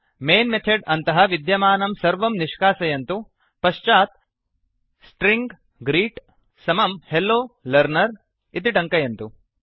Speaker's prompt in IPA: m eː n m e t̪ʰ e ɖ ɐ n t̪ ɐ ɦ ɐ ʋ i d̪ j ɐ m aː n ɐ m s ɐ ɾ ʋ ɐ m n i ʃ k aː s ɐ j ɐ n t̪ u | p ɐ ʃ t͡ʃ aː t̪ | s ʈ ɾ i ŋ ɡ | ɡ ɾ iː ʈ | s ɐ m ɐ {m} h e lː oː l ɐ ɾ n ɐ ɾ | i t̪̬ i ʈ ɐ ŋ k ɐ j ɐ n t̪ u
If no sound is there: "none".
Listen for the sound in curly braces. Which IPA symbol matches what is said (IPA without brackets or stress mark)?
m